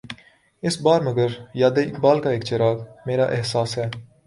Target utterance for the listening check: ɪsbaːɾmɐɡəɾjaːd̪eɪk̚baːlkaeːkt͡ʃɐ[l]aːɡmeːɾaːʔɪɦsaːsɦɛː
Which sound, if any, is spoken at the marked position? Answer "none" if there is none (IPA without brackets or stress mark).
ɾ